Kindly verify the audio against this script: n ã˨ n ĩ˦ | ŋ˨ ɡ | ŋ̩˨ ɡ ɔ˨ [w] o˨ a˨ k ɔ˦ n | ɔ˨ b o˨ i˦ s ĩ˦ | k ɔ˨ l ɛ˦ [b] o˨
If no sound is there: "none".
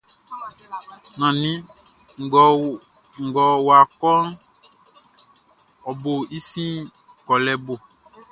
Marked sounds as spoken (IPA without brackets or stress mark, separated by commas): w, b